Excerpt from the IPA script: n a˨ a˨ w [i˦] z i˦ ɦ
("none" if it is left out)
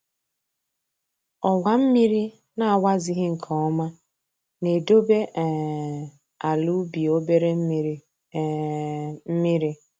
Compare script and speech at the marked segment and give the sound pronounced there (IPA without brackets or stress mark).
a˦